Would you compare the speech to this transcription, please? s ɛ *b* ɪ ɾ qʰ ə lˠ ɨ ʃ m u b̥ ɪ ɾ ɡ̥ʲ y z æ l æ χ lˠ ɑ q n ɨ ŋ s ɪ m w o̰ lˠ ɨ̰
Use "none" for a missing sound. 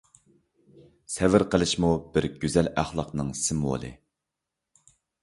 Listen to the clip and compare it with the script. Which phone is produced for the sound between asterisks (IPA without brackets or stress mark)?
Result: v